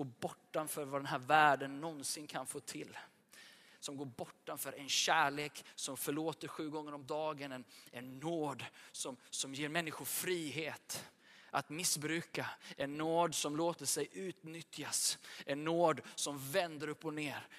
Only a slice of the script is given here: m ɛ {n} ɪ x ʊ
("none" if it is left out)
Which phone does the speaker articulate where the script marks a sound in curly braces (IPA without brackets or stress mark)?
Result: nː